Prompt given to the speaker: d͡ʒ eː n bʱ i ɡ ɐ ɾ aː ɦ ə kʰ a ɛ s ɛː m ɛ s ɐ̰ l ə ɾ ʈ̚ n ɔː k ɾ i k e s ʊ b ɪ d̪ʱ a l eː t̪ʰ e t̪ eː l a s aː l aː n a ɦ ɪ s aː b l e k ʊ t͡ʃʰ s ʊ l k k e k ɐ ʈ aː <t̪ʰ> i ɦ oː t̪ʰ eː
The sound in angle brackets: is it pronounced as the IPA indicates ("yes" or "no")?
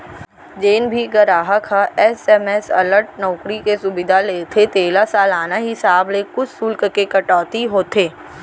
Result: no